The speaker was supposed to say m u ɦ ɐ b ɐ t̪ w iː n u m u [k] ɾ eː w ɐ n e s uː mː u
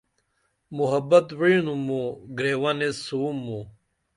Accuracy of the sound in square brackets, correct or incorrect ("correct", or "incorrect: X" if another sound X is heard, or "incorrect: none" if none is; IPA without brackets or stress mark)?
incorrect: ɡ